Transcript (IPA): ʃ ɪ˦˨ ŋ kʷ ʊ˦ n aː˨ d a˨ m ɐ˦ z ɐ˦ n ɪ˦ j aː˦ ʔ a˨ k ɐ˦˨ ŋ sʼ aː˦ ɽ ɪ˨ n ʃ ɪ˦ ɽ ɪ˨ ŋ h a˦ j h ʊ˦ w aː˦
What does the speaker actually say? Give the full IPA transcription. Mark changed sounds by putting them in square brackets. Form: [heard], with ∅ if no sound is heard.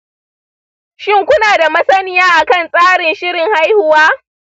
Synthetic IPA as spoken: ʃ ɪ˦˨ ŋ kʷ ʊ˦ n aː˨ d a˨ m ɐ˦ [s] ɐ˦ n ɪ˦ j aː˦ ʔ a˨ k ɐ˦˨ [n] sʼ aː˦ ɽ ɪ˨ n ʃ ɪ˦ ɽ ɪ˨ ŋ h a˦ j h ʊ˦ w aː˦